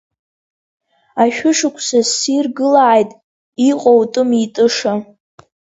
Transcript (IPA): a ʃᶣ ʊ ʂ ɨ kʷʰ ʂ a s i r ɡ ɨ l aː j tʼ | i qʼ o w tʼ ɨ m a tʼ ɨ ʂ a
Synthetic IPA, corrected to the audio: a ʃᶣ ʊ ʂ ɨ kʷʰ s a s i r ɡ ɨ l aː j tʼ | i qʼ o w tʼ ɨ m i tʼ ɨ ʂ a